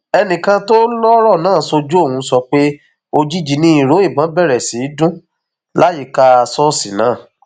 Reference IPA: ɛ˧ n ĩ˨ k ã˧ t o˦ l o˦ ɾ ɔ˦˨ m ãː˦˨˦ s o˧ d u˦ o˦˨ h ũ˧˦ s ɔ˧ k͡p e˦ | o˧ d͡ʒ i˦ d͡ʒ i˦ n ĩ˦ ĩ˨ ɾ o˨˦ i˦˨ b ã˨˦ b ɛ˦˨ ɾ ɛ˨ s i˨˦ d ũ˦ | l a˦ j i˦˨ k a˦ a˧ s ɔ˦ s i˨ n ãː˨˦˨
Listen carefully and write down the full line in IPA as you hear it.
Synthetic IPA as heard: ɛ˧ n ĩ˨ k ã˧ t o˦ l ɔ˦ ɾ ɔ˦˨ n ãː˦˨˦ s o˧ d͡ʒ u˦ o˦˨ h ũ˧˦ s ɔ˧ k͡p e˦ | o˧ d͡ʒ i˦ d͡ʒ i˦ n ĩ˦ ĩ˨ ɾ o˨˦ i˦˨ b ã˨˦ b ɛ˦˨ ɾ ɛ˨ s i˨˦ d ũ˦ | l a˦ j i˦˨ k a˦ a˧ s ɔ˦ s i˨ n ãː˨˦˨

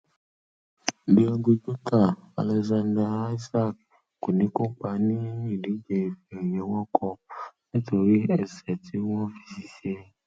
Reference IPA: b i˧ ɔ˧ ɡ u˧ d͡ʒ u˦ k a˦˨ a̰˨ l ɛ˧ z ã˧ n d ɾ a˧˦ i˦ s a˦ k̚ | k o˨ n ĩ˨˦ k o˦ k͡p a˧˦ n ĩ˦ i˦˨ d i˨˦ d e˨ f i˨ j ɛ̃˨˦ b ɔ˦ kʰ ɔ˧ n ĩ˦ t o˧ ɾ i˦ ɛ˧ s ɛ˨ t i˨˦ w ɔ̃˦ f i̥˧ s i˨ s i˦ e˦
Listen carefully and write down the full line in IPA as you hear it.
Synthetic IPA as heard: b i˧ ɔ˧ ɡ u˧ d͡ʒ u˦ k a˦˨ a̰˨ l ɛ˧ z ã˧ n d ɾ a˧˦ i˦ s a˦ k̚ | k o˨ n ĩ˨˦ k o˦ k͡p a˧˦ n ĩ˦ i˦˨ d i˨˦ d͡ʒ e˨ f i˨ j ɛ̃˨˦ w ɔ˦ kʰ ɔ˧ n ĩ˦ t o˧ ɾ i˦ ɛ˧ s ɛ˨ t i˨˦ w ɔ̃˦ f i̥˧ s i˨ s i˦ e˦

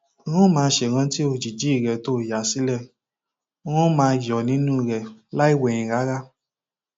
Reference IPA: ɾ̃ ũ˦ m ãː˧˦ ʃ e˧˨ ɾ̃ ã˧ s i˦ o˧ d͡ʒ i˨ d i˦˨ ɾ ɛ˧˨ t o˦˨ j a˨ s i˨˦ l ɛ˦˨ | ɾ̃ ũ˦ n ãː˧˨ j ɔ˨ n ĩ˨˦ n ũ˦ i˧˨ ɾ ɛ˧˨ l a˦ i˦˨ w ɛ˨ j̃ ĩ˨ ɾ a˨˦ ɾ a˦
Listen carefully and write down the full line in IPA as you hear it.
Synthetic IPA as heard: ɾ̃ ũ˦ m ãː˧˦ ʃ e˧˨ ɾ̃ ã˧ t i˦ o˧ d͡ʒ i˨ d͡ʒ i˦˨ ɾ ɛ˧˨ t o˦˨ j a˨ s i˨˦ l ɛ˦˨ | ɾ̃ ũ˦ m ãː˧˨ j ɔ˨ n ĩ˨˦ n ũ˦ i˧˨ ɾ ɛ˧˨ l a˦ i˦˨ w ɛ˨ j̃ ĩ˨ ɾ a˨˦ ɾ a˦

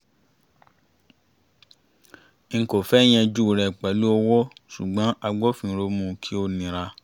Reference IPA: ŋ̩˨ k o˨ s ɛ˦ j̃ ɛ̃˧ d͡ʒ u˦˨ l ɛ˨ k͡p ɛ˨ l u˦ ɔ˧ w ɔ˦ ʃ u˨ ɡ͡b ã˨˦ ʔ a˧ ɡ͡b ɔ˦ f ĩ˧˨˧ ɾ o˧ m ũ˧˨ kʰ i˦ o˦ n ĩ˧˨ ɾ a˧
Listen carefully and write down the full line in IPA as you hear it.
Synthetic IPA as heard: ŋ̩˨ k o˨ f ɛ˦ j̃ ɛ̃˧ d͡ʒ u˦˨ ɾ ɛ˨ k͡p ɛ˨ l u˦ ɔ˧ w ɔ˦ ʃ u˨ ɡ͡b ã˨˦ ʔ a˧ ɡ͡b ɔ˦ f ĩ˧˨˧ ɾ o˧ m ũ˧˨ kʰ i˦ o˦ n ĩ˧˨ ɾ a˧

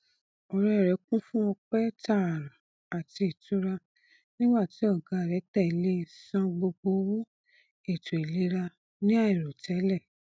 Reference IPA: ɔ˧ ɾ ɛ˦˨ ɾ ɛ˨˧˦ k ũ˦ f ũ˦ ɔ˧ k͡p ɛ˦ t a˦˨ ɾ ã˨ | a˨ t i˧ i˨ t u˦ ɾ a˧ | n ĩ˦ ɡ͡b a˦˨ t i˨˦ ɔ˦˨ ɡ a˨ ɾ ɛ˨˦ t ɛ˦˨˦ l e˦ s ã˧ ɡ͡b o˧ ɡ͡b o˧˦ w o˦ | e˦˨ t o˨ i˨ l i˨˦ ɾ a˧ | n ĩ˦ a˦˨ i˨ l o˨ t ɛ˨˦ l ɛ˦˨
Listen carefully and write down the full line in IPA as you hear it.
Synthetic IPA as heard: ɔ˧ ɾ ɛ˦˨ ɾ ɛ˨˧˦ k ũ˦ f ũ˦ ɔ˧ k͡p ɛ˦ t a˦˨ ɾ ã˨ | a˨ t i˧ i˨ t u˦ ɾ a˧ | n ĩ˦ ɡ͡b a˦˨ t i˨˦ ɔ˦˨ ɡ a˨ ɾ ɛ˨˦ t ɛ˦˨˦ l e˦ s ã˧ ɡ͡b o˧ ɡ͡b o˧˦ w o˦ | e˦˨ t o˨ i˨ l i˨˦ ɾ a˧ | n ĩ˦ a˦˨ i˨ ɾ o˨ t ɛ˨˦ l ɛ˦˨

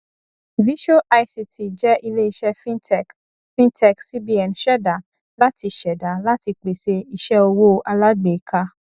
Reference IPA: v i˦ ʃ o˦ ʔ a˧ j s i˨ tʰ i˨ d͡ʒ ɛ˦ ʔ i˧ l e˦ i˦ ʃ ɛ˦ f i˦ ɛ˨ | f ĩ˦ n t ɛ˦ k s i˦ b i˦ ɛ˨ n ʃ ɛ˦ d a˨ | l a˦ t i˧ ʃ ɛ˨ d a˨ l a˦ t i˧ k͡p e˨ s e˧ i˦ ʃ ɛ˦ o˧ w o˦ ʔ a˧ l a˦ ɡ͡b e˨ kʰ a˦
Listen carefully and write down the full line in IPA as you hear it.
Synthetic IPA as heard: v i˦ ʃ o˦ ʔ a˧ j s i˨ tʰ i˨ d͡ʒ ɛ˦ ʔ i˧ l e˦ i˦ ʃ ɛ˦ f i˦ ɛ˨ | f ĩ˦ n t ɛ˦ k s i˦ b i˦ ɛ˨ n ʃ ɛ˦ d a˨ | l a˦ t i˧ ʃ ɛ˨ d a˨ l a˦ t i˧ k͡p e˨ s e˧ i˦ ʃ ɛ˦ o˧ w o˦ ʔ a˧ l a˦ ɡ͡b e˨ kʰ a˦

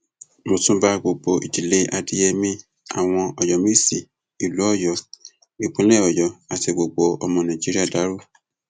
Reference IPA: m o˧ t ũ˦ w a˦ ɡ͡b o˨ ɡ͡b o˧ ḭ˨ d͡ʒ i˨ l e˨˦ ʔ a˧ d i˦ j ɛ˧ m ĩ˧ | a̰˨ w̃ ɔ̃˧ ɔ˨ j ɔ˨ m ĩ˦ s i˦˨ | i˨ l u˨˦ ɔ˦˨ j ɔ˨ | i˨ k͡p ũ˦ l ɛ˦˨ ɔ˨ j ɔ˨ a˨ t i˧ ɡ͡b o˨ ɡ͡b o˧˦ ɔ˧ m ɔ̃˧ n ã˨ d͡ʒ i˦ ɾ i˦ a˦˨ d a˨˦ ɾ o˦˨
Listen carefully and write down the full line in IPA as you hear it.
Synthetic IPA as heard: m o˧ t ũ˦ b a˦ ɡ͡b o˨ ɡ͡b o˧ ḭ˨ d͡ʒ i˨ l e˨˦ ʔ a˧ d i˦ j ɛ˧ m ĩ˧ | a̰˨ w̃ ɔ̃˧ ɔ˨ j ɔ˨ m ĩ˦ s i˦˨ | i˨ l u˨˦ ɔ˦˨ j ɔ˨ | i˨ k͡p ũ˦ l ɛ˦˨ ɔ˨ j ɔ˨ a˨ t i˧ ɡ͡b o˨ ɡ͡b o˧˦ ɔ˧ m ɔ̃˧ n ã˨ d͡ʒ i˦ ɾ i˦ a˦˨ d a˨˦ ɾ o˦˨

